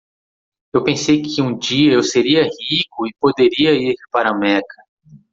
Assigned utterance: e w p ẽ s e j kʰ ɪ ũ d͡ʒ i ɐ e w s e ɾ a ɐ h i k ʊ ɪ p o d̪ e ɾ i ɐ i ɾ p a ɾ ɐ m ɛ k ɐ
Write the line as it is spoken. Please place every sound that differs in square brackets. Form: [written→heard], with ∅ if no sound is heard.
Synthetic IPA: e w p ẽ s e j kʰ ɪ ũ d͡ʒ i ɐ e w s e ɾ [a→i] ɐ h i k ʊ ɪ p o d̪ e ɾ i ɐ i ɾ p a ɾ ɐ m ɛ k ɐ